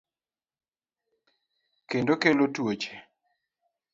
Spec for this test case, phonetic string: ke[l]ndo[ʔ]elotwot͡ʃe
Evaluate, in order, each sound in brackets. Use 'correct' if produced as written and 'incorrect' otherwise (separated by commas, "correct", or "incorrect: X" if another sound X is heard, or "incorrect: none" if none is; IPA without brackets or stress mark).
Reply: incorrect: none, incorrect: k